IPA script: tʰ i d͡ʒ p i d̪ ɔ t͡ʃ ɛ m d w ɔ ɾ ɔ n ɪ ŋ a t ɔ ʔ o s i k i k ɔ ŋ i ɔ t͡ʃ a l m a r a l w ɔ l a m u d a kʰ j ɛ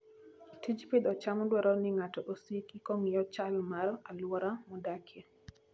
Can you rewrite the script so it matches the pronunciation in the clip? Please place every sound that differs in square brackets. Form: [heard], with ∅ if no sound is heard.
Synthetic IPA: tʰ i d͡ʒ p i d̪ ɔ t͡ʃ [a] m d w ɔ ɾ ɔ n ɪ ŋ a t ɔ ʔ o s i k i k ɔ ŋ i ɔ t͡ʃ a l m a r a l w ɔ [ɾ] a m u d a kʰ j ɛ